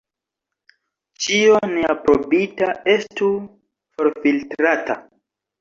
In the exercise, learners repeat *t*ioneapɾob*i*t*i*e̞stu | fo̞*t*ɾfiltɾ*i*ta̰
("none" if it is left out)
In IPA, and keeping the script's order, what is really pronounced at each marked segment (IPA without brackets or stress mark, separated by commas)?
t͡ʃ, i, a, none, a